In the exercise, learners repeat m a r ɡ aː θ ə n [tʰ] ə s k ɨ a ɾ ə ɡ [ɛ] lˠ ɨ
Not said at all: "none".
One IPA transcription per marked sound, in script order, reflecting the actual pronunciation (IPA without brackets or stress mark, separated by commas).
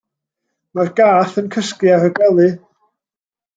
kʰ, ɛ